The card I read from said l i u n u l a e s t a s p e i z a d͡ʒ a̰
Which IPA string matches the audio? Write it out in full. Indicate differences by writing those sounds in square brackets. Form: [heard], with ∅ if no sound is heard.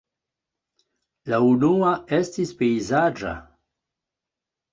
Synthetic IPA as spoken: l [a] u n u [∅] a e s t [i] s p e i z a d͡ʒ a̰